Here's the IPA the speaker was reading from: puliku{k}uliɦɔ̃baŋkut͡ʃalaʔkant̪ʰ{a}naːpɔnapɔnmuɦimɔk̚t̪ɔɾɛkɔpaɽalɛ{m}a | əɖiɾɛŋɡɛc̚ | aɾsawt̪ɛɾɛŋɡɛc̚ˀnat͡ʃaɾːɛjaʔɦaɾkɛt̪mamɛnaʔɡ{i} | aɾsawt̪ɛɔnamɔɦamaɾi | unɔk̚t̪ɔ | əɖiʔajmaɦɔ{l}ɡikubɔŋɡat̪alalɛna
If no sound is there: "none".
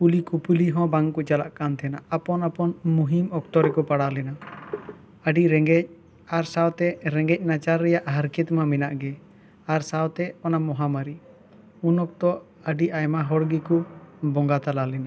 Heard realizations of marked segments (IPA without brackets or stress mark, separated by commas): p, ɛ, n, ɛ, ɽ